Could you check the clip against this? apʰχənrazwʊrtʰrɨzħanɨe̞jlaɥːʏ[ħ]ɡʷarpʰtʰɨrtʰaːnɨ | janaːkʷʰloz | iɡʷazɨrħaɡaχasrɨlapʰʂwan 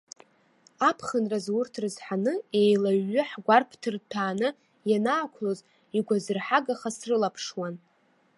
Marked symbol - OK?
yes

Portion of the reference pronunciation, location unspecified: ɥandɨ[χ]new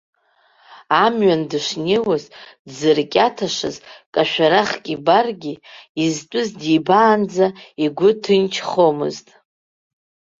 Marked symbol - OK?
no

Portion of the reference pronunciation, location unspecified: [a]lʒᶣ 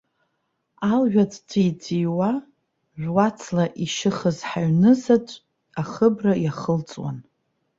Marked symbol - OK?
yes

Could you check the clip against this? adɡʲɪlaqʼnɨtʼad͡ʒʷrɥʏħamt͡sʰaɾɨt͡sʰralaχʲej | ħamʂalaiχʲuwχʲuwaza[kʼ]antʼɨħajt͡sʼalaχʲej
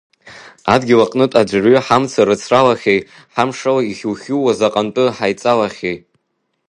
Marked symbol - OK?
no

